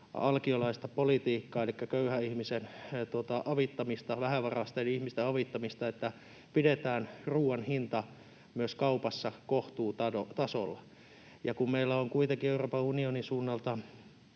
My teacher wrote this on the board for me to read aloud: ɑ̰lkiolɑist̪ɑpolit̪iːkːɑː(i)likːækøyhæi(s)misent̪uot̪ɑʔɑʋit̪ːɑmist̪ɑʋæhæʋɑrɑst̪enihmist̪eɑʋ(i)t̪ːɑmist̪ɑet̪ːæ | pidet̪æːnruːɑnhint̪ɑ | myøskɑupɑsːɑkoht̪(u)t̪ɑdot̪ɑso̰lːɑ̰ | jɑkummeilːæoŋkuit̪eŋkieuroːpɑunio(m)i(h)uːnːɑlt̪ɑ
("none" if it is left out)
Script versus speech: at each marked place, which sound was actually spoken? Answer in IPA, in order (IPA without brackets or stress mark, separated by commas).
e, h, i, uː, n, s